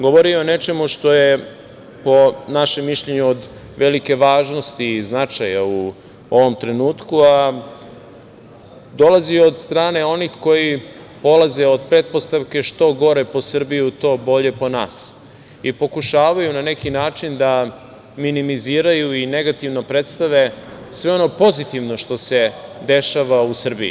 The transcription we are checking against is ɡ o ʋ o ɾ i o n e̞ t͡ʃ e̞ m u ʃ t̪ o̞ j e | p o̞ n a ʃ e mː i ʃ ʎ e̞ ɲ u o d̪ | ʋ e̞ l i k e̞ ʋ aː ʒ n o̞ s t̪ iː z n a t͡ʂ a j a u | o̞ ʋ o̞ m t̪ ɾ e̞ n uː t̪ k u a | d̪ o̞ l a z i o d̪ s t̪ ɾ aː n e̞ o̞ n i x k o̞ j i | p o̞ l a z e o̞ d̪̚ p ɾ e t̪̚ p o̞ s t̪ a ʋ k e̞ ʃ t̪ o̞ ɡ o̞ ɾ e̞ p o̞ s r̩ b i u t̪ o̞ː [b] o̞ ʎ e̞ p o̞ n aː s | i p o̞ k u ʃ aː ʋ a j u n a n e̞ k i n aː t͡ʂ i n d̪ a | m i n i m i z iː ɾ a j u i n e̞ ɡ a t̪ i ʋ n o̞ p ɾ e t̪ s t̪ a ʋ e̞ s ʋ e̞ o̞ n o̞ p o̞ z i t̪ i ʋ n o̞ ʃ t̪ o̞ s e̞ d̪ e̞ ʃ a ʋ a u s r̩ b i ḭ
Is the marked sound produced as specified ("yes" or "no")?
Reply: yes